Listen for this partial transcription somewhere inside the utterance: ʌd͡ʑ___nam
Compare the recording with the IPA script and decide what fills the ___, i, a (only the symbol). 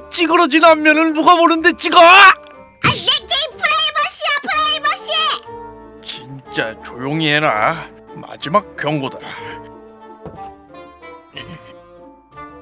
i